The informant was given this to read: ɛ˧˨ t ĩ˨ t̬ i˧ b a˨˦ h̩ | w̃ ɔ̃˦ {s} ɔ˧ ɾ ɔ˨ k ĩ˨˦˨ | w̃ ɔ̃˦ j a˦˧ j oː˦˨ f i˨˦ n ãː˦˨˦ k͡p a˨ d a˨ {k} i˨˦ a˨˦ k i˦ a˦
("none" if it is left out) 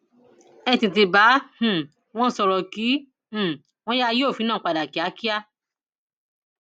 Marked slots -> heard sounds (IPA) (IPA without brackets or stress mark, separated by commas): s, k